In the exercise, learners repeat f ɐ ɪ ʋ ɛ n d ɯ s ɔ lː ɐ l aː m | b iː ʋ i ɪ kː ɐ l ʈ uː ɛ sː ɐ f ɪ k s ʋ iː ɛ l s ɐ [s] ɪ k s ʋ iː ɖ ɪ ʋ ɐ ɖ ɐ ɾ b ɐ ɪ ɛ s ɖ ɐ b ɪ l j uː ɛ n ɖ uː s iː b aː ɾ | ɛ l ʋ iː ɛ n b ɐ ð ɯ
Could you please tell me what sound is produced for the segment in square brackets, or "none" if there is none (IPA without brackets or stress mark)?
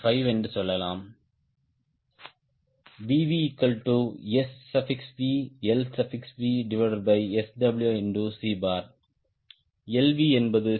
f